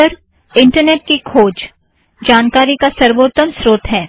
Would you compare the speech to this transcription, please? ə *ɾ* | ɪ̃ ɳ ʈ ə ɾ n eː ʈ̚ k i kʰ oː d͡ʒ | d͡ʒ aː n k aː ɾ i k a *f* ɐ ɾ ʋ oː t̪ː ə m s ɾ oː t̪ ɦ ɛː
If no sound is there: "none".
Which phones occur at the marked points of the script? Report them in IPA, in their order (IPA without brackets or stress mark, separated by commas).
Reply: ɾ, s